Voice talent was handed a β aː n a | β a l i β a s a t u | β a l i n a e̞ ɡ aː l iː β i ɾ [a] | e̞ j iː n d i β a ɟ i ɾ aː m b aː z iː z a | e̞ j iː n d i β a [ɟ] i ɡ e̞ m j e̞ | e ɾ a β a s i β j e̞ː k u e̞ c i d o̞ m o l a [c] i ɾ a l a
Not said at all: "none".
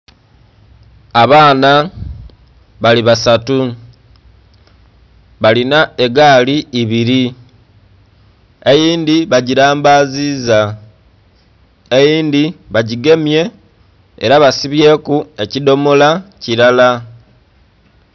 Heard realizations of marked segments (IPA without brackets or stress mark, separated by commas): i, ɟ, c